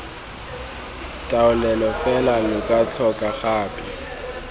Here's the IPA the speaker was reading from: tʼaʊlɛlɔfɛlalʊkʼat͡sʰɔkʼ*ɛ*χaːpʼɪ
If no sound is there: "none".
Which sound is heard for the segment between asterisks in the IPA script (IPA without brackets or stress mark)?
a